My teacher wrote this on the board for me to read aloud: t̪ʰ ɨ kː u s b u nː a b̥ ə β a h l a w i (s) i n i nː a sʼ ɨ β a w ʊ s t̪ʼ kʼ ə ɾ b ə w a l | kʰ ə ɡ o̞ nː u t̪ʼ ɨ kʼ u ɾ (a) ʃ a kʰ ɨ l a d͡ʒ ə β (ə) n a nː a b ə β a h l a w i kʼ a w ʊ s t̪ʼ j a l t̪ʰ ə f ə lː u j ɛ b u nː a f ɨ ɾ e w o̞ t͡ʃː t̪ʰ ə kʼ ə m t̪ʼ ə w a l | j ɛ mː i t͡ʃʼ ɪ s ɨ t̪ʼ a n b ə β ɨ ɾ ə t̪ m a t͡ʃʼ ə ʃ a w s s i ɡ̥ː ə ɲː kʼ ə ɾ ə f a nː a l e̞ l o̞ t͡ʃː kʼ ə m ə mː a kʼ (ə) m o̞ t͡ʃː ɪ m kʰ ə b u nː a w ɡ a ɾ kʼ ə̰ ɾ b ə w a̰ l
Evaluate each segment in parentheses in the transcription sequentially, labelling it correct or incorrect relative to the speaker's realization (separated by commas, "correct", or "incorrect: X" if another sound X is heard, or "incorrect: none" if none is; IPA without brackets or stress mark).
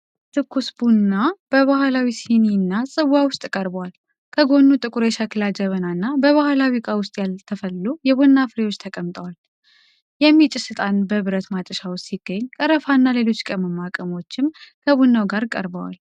correct, incorrect: e, correct, correct